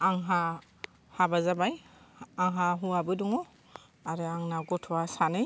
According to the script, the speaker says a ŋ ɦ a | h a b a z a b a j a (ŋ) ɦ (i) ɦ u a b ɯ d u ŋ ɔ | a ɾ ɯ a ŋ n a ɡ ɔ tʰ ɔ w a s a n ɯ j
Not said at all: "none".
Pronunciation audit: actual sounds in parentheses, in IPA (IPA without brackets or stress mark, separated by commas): ŋ, a